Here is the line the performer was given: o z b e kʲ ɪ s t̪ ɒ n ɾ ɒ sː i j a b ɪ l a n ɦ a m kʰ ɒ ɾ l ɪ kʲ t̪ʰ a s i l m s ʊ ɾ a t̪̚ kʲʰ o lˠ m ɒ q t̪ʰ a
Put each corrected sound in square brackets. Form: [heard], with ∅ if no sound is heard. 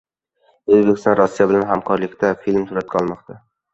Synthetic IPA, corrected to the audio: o z b e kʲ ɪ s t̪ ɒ n ɾ ɒ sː i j a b ɪ l a n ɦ a m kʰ ɒ ɾ l ɪ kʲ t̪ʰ a [f] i l m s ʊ ɾ a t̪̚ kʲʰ [ɒ] lˠ m ɒ q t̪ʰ a